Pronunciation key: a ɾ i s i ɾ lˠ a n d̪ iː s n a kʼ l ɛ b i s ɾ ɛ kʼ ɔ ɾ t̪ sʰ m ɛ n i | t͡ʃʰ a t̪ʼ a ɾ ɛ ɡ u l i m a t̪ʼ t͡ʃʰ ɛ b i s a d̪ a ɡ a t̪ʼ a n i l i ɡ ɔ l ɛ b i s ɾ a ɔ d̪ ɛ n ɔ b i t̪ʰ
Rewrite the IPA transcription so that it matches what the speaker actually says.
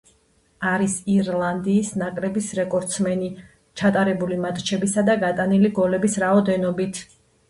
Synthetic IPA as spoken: a ɾ i s i ɾ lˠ a n d̪ iː s n a kʼ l ɛ b i s ɾ ɛ kʼ ɔ ɾ t̪ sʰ m ɛ n i | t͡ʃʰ a t̪ʼ a ɾ ɛ b u l i m a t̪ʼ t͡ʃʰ ɛ b i s a d̪ a ɡ a t̪ʼ a n i l i ɡ ɔ l ɛ b i s ɾ a ɔ d̪ ɛ n ɔ b i t̪ʰ

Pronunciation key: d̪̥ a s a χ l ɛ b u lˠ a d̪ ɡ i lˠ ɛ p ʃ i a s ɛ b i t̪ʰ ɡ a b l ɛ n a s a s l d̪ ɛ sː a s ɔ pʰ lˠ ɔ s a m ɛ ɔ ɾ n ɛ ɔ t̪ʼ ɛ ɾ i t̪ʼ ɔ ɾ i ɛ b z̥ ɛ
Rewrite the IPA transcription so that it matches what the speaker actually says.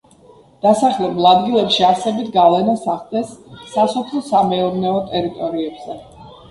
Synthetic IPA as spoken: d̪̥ a s a χ l ɛ b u lˠ a d̪ ɡ i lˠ ɛ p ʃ i a s ɛ b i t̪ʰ ɡ a v l ɛ n a s a χ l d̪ ɛ sː a s ɔ pʰ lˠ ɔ s a m ɛ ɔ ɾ n ɛ ɔ t̪ʼ ɛ ɾ i t̪ʼ ɔ ɾ i ɛ b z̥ ɛ

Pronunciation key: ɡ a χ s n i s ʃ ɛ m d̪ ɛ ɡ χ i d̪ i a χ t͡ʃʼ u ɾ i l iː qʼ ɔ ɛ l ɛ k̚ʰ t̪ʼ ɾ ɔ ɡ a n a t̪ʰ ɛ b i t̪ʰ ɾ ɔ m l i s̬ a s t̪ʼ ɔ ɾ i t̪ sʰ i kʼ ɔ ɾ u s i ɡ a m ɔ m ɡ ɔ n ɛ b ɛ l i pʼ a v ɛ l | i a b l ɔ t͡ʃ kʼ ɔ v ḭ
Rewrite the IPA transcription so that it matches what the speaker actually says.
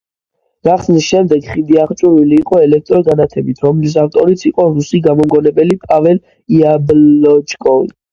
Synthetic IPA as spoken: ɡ a χ s n i s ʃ ɛ m d̪ ɛ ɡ χ i d̪ i a χ t͡ʃʼ u ɾ i l iː qʼ ɔ ɛ l ɛ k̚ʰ t̪ʼ ɾ ɔ ɡ a n a t̪ʰ ɛ b i t̪ʰ ɾ ɔ m l i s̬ a f t̪ʼ ɔ ɾ i t̪ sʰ i qʼ ɔ ɾ u s i ɡ a m ɔ m ɡ ɔ n ɛ b ɛ l i pʼ a v ɛ l | i a b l ɔ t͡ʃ kʼ ɔ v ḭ

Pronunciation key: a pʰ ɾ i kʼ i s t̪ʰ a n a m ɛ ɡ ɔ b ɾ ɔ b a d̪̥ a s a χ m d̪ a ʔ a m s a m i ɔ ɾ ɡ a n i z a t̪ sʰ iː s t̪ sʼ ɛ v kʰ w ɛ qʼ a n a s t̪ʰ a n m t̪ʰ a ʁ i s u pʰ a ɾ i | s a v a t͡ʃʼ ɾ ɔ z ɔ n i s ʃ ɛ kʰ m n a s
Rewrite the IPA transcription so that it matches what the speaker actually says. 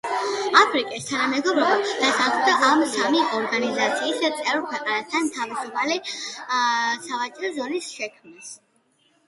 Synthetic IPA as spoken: a pʰ ɾ i kʼ i s t̪ʰ a n a m ɛ ɡ ɔ b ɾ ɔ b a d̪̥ a s a χ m d̪ a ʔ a m s a m i ɔ ɾ ɡ a n i z a t̪ sʰ iː s t̪ sʼ ɛ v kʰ w ɛ qʼ a n a s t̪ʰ a n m t̪ʰ a v i s u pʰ a l i | s a v a t͡ʃʼ ɾ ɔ z ɔ n i s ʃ ɛ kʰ m n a s

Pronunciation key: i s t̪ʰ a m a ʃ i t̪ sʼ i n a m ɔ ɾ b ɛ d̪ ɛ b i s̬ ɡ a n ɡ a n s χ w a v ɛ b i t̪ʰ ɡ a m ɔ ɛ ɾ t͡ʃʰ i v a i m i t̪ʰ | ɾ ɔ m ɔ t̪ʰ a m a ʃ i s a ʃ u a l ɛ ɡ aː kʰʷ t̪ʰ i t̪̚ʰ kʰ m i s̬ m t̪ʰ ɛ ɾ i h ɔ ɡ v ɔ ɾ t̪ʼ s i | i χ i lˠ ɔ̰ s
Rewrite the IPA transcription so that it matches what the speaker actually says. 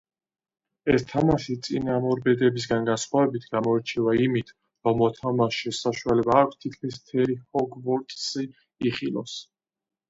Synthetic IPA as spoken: ɛ s t̪ʰ a m a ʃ i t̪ sʼ i n a m ɔ ɾ b ɛ d̪ ɛ b i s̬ ɡ a n ɡ a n s χ w a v ɛ b i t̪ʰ ɡ a m ɔ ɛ ɾ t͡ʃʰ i v a i m i t̪ʰ | ɾ ɔ m ɔ t̪ʰ a m a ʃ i s a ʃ u a l ɛ b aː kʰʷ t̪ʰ i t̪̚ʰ kʰ m i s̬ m t̪ʰ ɛ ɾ i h ɔ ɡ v ɔ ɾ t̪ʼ s i | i χ i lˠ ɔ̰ s

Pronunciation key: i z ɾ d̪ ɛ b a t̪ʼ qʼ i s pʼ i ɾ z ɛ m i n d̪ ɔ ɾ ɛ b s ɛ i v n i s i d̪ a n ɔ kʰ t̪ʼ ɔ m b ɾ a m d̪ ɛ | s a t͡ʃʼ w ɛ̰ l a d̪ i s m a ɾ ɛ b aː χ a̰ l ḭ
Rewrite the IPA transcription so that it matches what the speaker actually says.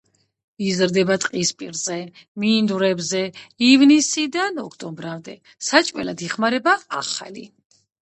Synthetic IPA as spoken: i z ɾ d̪ ɛ b a t̪ʼ qʼ i s pʼ i ɾ z ɛ m i n d̪ u ɾ ɛ b z ɛ i v n i s i d̪ a n ɔ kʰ t̪ʼ ɔ m b ɾ a m d̪ ɛ | s a t͡ʃʼ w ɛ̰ l a d̪ i χ m a ɾ ɛ b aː χ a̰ l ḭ

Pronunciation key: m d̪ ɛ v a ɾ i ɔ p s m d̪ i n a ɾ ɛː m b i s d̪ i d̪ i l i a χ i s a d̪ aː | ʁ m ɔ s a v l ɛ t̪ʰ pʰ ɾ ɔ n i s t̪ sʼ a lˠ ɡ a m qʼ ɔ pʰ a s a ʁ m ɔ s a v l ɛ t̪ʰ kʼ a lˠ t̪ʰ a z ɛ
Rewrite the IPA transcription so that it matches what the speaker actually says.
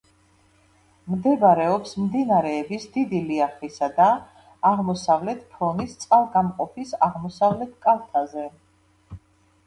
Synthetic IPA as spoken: m d̪ ɛ b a ɾ ɛ ɔ p s m d̪ i n a ɾ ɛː b i s d̪ i d̪ i l i a χ i s a d̪ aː | ʁ m ɔ s a v l ɛ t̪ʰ pʰ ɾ ɔ n i s t̪ sʼ a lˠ ɡ a m qʼ ɔ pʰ i s a ʁ m ɔ s a v l ɛ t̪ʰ kʼ a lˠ t̪ʰ a z ɛ

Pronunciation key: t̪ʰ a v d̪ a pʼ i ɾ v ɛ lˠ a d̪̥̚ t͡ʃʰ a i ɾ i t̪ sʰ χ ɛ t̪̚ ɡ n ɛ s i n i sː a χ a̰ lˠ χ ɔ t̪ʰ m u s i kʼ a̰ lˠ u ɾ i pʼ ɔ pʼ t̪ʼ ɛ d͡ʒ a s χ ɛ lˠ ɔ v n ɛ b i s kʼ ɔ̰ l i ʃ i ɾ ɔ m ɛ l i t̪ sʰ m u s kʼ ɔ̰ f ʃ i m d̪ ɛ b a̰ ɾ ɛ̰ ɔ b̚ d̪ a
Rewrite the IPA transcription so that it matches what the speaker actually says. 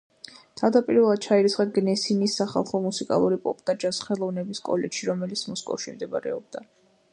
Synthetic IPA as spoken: t̪ʰ a v d̪ a pʼ i ɾ v ɛ lˠ a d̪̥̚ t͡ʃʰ a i ɾ i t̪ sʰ χ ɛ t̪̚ ɡ n ɛ s i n i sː a χ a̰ lˠ χ ɔ m u s i kʼ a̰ lˠ u ɾ i pʼ ɔ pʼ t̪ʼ a d͡ʒ a s χ ɛ lˠ ɔ v n ɛ b i s kʼ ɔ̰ l ɛ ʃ i ɾ ɔ m ɛ l i t̪ sʰ m ɔ s kʼ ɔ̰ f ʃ i m d̪ ɛ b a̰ ɾ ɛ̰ ɔ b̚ d̪ a

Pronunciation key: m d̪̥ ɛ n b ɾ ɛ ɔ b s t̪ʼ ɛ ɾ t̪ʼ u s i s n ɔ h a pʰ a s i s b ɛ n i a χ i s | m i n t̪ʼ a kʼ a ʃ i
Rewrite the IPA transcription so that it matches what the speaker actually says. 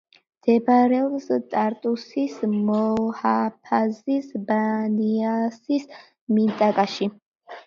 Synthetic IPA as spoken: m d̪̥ ɛ b ɾ ɛ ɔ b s t̪ʼ a ɾ t̪ʼ u s i s m ɔ h a pʰ a z i s b a n i a s i s | m i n t̪ʼ a kʼ a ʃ i

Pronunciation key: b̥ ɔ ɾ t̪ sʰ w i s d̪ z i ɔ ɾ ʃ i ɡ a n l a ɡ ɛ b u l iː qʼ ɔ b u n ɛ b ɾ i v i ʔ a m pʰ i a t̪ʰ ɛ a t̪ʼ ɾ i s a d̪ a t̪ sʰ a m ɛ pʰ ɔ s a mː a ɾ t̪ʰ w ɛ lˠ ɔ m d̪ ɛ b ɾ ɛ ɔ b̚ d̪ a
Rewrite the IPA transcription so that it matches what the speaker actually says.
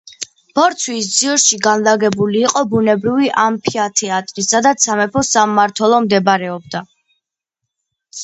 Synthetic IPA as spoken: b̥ ɔ ɾ t̪ sʰ w i s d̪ z i ɔ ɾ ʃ i ɡ a n l a ɡ ɛ b u l iː qʼ ɔ b u n ɛ b ɾ i v i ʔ a m pʰ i a t̪ʰ ɛ a t̪ʼ ɾ i s a d̪ a t̪ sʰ a m ɛ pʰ ɔ s a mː a ɾ t̪ʰ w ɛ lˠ ɔ m d̪ ɛ b ɾ ɛ ɔ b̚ d̪ a

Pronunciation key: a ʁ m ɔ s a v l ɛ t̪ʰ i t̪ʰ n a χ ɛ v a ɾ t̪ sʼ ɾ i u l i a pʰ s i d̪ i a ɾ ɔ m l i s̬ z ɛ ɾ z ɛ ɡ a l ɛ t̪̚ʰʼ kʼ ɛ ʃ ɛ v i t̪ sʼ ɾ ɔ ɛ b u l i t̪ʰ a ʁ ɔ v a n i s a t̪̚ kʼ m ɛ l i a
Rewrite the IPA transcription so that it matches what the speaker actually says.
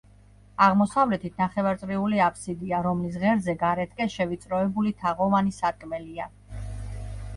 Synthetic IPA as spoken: a ʁ m ɔ s a v l ɛ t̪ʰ i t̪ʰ n a χ ɛ v a ɾ t̪ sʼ ɾ i u l i a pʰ s i d̪ i a ɾ ɔ m l i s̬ ʁ ɛ ɾ z ɛ ɡ a ɾ ɛ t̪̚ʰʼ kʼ ɛ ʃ ɛ v i t̪ sʼ ɾ ɔ ɛ b u l i t̪ʰ a ʁ ɔ v a n i s a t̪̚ kʼ m ɛ l i a

